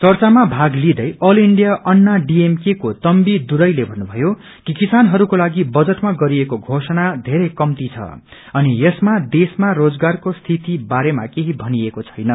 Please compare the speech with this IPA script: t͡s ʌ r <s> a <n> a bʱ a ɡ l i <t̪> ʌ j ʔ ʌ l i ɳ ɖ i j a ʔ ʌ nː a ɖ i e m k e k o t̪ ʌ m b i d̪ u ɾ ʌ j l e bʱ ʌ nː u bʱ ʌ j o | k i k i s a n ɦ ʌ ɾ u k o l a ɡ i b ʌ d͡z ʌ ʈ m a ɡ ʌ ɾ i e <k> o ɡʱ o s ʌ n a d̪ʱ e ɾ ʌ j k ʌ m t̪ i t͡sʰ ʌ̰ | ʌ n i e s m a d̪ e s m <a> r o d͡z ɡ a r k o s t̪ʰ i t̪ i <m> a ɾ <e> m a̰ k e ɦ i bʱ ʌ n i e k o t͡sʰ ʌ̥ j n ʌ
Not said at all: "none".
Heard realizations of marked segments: t͡s, m, d̪, k, a, b, e

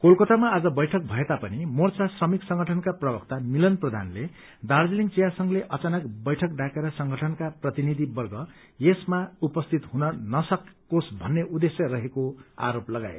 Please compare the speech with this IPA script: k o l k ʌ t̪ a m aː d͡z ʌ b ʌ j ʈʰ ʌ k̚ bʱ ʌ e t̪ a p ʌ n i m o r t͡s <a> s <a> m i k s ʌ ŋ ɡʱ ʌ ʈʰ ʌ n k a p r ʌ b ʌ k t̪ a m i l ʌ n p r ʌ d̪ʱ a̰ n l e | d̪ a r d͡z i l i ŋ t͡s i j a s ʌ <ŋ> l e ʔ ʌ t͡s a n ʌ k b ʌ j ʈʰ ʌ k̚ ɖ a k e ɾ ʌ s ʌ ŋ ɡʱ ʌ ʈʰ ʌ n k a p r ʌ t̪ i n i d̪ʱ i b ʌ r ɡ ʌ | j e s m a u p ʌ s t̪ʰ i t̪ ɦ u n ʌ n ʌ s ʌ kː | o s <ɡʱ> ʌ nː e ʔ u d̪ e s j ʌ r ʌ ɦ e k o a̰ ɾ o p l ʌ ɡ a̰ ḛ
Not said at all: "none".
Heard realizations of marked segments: a, ʌ, ŋ, bʱ

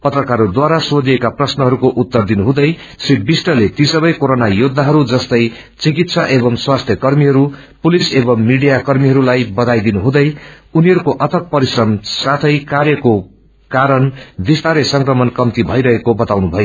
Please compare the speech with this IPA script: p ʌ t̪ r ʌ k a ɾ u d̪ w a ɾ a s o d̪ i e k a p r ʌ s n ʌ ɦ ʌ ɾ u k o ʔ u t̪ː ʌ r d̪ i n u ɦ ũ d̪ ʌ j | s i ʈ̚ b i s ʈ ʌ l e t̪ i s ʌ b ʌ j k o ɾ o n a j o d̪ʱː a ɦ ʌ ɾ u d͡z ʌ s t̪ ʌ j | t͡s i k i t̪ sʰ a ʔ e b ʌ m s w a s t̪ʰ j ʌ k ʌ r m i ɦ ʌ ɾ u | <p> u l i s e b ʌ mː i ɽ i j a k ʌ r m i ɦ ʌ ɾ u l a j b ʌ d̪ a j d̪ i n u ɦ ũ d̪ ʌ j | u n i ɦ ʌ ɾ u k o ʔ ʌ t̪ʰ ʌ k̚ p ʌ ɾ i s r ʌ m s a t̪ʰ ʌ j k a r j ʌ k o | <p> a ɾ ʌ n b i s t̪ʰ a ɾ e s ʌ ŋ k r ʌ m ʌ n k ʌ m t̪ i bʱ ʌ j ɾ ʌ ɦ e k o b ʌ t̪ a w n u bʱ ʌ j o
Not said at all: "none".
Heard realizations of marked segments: p, k

